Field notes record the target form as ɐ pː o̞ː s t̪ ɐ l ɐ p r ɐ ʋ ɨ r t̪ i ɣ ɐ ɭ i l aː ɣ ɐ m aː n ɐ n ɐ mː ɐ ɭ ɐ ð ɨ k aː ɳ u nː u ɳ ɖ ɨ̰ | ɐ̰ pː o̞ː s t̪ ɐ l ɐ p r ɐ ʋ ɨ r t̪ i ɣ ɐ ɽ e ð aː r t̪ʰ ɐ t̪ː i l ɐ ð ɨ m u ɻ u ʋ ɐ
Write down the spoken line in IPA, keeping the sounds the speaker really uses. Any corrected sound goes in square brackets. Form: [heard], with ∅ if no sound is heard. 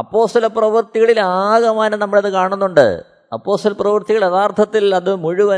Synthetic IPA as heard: ɐ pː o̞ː s t̪ ɐ l ɐ p r ɐ ʋ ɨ r t̪ i ɣ ɐ ɭ i l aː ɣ ɐ m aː n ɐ n ɐ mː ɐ ɭ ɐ ð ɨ k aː ɳ u nː u ɳ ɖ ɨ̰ | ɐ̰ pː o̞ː s t̪ ɐ l ɐ p r ɐ ʋ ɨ r t̪ i ɣ ɐ [ɭ] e ð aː r t̪ʰ ɐ t̪ː i l ɐ ð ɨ m u ɻ u ʋ ɐ